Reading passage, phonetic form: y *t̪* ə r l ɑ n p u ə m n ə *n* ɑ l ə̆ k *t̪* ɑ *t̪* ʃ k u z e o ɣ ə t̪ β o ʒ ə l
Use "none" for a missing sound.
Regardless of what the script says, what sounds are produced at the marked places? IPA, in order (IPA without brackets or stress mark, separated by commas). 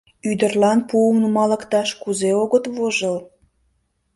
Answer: d̪, m, t̪, none